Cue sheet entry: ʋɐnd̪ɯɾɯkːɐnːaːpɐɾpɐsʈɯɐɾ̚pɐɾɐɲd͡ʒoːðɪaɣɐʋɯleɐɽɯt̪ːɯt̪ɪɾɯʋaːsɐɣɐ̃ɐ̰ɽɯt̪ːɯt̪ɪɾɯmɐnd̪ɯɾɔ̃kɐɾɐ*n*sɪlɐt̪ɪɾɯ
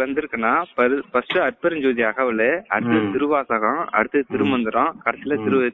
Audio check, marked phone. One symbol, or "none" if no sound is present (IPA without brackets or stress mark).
none